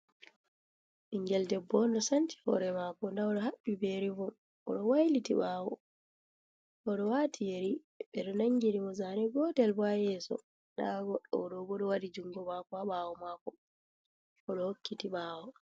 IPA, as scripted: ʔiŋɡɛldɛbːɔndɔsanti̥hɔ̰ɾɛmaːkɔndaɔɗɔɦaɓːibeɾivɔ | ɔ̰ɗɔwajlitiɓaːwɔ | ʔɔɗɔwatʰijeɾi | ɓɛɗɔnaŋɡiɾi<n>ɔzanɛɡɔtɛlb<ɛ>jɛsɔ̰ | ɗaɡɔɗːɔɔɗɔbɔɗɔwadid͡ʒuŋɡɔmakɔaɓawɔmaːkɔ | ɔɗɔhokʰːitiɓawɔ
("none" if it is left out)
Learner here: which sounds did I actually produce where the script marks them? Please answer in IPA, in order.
m, a

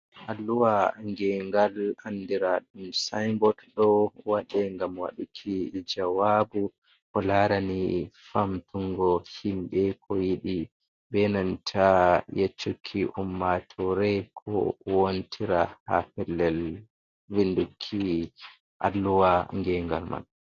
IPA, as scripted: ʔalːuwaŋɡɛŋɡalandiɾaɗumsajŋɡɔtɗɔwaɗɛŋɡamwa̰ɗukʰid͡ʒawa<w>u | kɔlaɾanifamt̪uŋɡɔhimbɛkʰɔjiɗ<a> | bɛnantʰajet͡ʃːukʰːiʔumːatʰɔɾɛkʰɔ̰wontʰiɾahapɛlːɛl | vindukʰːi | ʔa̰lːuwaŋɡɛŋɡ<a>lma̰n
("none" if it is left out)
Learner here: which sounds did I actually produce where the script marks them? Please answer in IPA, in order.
b, i, a

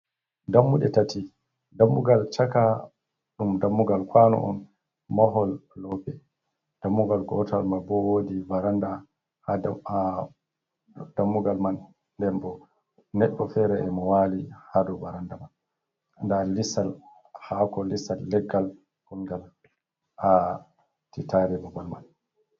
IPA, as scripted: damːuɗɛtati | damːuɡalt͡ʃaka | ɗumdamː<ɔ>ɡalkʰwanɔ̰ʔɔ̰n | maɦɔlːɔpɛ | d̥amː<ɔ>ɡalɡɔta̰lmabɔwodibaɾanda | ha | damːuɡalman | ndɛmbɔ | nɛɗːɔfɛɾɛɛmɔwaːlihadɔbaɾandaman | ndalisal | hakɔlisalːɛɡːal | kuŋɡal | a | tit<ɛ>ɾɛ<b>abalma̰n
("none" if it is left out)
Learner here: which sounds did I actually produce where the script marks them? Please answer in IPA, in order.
u, u, a, b

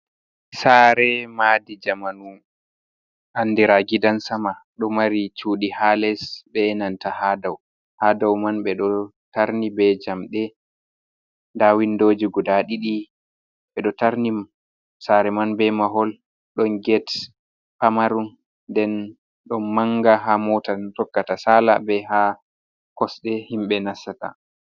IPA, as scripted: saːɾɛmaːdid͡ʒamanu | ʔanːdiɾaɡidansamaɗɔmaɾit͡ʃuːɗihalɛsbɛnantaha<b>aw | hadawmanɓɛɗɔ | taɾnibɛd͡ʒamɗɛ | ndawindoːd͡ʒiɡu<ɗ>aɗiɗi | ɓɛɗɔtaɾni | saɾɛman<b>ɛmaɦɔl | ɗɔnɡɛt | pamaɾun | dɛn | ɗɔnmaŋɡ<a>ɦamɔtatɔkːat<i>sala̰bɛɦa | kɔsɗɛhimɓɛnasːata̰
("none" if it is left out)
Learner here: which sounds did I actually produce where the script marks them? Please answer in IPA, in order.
d, d, b, a, a

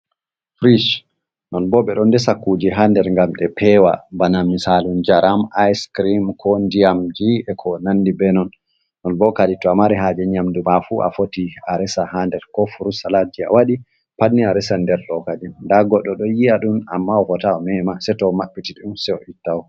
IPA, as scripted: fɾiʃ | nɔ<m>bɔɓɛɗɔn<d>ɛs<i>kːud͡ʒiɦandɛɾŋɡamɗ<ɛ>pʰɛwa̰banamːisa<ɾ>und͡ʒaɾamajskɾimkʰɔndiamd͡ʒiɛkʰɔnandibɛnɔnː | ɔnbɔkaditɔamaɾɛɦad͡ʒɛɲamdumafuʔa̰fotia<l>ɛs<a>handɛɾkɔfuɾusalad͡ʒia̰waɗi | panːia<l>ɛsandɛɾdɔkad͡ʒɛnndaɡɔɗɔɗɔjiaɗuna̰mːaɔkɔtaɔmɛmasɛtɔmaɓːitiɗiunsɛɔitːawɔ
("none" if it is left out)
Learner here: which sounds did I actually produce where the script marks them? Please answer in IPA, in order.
n, d, a, ɛ, l, ɾ, a, ɾ

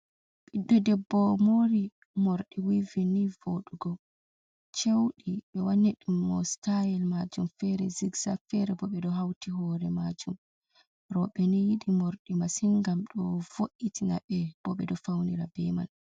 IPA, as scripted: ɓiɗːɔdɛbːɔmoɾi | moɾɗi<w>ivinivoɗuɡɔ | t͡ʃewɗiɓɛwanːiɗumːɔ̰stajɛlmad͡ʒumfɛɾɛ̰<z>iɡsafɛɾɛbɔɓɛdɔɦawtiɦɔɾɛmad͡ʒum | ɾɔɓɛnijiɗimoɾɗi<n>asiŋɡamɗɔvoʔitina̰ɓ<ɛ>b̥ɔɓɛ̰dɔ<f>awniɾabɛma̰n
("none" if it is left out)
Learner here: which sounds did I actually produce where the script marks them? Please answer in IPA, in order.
w, z, m, ɛ, f

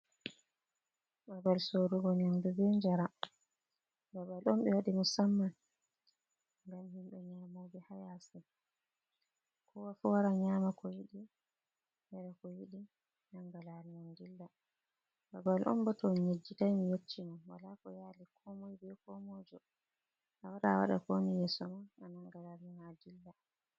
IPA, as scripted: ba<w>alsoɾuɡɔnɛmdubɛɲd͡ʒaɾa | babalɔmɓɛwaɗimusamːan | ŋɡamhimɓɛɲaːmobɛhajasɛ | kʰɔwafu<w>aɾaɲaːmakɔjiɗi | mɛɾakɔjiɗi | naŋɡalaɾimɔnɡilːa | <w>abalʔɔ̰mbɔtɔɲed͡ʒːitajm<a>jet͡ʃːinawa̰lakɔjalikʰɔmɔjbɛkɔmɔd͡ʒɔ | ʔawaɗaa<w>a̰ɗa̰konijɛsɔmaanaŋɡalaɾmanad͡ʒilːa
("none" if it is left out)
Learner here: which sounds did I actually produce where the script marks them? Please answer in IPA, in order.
b, w, b, i, w

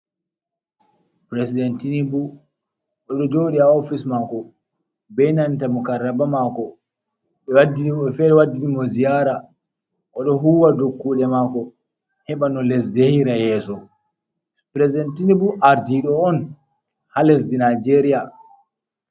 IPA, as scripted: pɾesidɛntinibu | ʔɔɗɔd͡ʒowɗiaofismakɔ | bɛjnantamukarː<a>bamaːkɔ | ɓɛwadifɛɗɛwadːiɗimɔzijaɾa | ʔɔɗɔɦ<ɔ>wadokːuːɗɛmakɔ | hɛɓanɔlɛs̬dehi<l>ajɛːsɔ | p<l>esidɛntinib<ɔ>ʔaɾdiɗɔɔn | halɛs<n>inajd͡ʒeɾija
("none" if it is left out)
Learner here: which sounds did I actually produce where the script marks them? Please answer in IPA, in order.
a, u, ɾ, ɾ, u, d

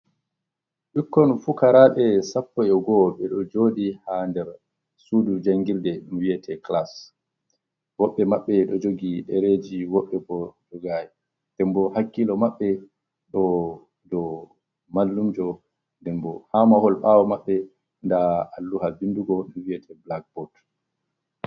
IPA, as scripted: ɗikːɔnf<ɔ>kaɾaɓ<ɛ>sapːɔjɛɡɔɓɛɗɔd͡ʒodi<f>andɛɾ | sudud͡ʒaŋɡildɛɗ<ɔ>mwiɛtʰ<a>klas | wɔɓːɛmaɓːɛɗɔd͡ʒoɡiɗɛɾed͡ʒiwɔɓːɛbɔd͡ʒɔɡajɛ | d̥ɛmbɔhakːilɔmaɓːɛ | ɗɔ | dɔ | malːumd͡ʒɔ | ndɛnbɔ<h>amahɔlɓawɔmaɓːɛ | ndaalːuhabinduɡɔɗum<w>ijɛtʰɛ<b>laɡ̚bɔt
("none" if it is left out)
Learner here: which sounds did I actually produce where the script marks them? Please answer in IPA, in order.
u, ɛ, h, u, ɛ, h, w, b

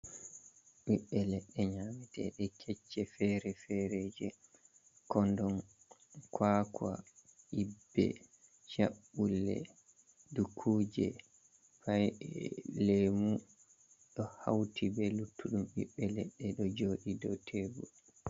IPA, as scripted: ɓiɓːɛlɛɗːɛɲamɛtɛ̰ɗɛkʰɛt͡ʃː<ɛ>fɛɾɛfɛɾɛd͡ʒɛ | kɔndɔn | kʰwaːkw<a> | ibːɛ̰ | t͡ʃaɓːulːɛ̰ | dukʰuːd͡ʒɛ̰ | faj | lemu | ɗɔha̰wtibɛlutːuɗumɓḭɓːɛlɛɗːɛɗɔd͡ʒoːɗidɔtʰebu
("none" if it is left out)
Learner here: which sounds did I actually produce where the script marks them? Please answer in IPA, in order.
ɛ, a

